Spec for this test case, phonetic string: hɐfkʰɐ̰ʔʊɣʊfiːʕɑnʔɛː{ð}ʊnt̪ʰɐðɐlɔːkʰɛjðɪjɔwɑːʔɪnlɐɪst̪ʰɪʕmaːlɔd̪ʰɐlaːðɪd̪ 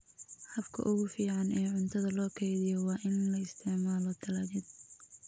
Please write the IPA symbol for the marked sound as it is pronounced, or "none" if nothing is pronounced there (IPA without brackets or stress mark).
ʕ